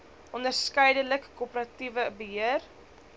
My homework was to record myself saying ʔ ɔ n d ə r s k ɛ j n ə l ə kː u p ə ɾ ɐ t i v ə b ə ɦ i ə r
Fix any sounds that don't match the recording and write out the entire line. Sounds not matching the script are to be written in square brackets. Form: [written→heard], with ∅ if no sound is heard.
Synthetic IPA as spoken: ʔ ɔ n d ə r s k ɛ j [n→d] ə l ə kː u p ə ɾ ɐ t i v ə b ə ɦ i ə r

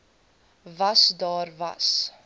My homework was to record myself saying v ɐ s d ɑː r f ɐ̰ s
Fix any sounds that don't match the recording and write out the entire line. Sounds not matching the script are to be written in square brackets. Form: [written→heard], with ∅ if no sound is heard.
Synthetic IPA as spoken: v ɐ s d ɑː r [f→v] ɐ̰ s

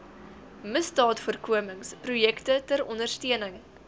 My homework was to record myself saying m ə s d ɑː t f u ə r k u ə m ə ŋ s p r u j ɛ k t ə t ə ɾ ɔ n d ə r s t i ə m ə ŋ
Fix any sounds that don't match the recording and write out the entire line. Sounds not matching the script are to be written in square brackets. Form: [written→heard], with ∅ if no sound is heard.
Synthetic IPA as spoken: m ə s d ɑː t f u ə r k u ə m ə ŋ s p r u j ɛ k t ə t ə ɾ ɔ n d ə r s t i ə [m→n] ə ŋ

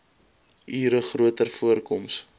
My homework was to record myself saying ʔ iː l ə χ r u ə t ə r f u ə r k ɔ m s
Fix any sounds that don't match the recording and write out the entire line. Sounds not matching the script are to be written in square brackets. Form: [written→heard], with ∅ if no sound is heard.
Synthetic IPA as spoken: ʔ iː [l→ɾ] ə χ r u ə t ə r f u ə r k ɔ m s

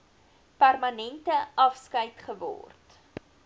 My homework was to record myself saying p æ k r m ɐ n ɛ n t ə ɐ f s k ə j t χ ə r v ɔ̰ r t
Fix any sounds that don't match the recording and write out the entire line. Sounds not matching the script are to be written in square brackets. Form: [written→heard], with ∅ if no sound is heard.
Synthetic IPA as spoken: p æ [k→∅] r m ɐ n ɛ n t ə ɐ f s k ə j t χ ə [r→∅] v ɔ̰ r t

